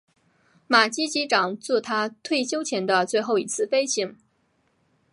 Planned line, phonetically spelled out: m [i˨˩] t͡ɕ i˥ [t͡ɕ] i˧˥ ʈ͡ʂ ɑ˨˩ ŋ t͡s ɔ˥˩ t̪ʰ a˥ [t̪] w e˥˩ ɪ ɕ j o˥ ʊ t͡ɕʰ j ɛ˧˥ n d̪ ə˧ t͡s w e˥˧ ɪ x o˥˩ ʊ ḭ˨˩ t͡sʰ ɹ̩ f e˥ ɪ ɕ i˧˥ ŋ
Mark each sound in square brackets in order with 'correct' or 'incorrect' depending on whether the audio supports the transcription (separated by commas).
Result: incorrect, correct, incorrect